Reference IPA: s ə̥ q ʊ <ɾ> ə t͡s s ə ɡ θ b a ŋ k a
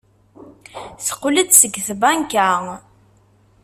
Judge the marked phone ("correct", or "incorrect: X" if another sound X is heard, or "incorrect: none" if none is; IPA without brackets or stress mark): incorrect: l